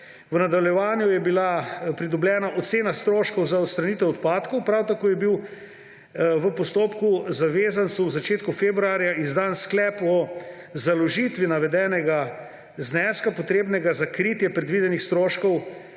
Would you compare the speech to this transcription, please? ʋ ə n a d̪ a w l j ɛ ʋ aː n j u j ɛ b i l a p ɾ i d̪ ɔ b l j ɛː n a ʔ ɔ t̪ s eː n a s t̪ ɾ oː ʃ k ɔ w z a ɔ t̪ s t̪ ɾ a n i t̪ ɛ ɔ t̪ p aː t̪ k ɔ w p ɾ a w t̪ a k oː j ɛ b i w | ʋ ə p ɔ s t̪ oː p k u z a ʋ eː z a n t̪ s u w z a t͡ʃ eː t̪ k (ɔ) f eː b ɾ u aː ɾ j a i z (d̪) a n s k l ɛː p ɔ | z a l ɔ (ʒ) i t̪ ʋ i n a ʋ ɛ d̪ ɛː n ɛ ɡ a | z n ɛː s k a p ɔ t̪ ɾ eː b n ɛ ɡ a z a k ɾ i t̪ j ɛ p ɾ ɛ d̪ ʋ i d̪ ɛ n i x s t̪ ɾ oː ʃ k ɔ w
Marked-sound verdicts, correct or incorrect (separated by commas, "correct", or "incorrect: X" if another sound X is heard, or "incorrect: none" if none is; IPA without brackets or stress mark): incorrect: u, correct, correct